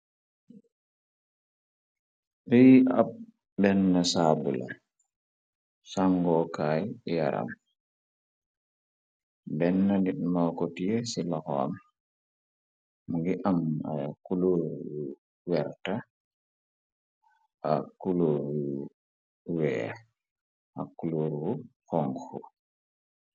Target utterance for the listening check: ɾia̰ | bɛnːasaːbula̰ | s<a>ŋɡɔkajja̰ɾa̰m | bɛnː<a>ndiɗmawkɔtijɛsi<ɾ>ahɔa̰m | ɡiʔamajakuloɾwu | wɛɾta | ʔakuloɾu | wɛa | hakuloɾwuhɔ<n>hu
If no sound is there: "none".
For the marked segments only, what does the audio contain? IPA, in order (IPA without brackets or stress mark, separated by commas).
a, a, l, ŋ